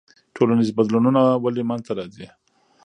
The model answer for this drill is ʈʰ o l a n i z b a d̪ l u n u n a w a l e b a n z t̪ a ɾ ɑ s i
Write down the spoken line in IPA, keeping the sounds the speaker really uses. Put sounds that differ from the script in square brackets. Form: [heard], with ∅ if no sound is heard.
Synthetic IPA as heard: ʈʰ o l a n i z b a d̪ l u n u n a w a l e [m] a n z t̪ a ɾ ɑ [z] i